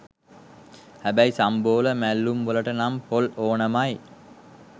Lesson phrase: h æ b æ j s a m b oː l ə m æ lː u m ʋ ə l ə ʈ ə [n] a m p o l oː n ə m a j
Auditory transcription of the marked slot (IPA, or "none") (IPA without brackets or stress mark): n